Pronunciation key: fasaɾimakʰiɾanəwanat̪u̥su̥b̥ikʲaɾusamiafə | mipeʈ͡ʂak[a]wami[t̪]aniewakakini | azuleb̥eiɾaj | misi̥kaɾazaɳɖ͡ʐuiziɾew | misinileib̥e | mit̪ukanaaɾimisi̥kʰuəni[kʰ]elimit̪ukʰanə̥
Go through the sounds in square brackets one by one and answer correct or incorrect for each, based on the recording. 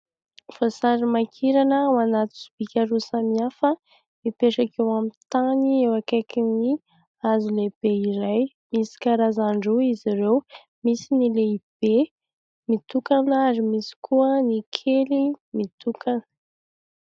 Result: incorrect: e, correct, correct

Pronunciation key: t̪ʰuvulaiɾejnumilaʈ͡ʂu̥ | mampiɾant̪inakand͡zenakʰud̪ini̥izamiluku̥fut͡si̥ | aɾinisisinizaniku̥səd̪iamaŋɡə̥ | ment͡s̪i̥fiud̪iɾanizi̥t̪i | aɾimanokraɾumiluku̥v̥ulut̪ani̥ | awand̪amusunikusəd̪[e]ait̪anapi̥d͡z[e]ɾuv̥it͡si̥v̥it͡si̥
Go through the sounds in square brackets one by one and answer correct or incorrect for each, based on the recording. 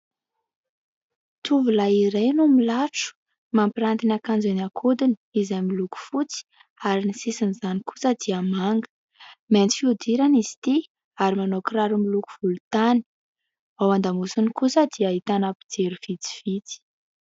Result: incorrect: i, correct

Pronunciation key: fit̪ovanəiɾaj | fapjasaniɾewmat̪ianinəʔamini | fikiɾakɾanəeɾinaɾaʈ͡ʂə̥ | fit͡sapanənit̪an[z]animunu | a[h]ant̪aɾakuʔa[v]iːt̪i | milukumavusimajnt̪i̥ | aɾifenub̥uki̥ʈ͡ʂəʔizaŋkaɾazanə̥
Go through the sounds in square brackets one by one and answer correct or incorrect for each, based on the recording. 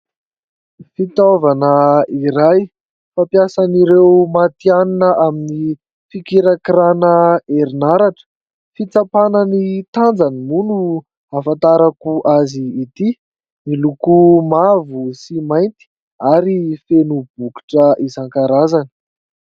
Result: incorrect: d͡z, incorrect: f, incorrect: z

